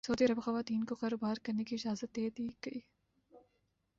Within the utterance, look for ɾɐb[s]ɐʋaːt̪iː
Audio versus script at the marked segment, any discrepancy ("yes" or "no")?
yes